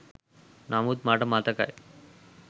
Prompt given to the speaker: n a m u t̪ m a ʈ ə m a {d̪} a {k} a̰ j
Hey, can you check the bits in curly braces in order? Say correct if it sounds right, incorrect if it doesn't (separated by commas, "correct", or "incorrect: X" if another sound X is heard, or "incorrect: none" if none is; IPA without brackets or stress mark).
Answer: incorrect: t̪, correct